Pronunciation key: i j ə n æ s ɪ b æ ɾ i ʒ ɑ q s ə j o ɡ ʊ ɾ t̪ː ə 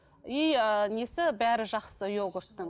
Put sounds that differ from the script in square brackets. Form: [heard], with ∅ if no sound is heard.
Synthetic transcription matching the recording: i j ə n [e] s ɪ b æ ɾ [ɪ] ʒ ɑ q s ə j o ɡ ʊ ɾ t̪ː ə